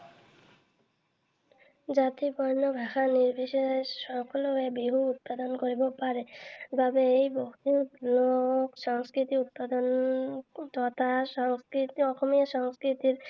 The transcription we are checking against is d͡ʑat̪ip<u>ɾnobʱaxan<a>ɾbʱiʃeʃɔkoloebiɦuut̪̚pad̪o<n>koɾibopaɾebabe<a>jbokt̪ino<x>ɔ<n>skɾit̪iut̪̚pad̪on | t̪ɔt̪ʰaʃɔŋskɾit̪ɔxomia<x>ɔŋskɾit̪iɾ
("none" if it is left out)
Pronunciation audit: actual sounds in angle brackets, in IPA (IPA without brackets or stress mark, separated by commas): ɔ, i, n, e, ʃ, ŋ, ʃ